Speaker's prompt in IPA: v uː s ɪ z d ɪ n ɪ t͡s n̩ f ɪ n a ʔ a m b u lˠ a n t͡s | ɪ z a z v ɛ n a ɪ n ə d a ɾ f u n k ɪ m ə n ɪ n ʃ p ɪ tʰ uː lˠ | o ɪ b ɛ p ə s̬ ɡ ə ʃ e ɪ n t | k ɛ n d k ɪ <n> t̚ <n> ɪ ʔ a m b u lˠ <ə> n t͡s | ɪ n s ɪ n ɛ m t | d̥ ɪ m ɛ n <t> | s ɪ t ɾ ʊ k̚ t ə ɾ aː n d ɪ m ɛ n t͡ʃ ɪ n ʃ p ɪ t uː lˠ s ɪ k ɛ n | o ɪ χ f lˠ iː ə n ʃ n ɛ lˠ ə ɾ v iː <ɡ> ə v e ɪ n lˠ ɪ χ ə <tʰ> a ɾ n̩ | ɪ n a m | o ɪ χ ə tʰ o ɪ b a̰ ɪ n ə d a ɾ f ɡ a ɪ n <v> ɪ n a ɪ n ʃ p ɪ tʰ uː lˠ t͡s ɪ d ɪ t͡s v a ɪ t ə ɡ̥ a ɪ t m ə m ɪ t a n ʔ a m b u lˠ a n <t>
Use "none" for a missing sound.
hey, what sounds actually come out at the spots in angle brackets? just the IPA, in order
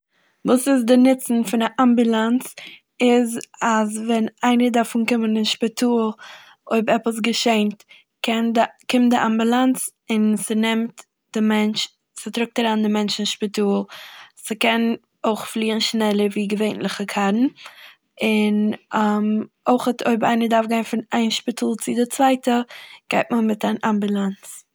m, d, a, t͡ʃ, ɡ, kʰ, f, t͡s

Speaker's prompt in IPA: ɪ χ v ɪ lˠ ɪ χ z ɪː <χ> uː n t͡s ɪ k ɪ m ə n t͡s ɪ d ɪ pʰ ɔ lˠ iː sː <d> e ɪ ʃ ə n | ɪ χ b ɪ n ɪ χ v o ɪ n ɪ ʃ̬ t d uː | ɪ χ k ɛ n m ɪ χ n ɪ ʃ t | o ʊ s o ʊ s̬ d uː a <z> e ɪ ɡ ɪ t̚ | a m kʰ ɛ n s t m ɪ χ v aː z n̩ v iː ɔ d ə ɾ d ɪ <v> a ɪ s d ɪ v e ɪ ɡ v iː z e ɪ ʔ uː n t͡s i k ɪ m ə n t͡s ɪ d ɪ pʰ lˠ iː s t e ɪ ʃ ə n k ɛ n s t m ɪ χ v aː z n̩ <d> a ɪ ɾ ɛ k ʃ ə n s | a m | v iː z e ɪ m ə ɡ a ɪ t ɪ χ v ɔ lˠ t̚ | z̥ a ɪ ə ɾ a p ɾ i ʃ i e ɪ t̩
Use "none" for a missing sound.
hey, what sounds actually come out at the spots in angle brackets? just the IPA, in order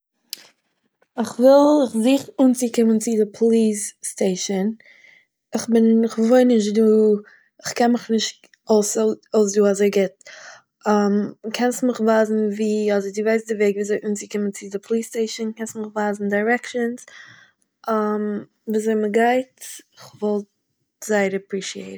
χ, t, z, v, d

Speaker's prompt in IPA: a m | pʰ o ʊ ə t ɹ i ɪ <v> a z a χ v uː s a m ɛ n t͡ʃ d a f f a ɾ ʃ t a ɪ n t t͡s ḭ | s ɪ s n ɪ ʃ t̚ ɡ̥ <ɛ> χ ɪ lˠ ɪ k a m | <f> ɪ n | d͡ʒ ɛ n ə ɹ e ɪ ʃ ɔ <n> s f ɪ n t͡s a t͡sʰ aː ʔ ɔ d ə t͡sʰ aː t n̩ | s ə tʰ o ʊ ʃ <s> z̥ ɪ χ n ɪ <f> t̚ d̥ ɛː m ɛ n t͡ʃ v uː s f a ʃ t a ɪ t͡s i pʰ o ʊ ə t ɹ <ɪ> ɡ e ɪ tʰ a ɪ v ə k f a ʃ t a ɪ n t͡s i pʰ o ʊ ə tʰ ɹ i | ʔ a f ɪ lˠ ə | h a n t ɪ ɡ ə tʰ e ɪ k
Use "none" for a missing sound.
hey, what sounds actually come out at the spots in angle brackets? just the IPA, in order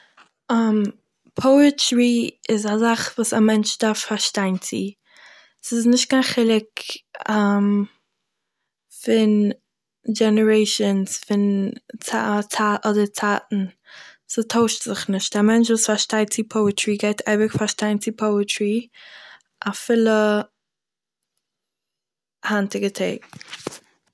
z, a, f, n, t, ʃ, i

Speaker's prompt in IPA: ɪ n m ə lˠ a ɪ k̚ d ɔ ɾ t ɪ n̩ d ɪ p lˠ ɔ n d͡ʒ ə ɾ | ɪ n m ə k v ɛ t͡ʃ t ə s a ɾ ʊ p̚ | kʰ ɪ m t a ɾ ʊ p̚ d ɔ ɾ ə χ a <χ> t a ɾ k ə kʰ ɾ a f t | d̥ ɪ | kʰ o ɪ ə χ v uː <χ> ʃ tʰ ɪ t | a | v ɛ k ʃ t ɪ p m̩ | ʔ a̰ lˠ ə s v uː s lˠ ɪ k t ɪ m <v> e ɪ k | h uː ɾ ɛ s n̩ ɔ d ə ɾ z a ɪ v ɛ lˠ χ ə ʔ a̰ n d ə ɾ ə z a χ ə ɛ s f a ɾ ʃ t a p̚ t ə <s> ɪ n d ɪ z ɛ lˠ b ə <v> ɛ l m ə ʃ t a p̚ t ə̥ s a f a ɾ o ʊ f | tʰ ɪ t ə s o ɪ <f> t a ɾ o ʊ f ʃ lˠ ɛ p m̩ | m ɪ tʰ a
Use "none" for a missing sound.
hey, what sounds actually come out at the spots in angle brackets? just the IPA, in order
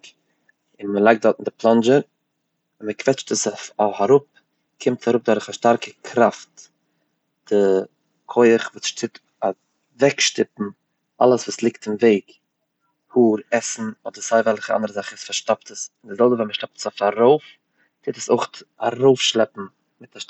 ʃ, s, v, s, v, χ

